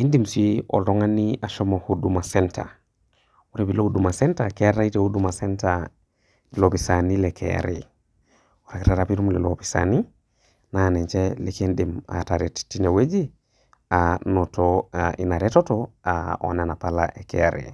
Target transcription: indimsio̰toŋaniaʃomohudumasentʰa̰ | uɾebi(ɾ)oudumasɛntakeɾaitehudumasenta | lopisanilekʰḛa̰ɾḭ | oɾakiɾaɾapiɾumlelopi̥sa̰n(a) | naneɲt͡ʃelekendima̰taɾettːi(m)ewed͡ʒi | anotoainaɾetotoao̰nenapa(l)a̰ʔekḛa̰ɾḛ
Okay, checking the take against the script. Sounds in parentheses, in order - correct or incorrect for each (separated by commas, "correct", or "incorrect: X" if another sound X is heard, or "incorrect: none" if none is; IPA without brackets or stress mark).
incorrect: l, incorrect: i, incorrect: n, correct